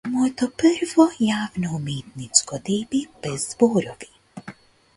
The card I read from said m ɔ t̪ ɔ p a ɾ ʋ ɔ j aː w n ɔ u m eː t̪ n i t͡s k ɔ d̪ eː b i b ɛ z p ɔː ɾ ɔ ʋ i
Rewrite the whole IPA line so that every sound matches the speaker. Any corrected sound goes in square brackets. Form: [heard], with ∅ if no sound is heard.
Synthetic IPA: m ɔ t̪ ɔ p [ə] ɾ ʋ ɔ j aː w n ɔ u m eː t̪ n i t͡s k ɔ d̪ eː b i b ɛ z [b] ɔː ɾ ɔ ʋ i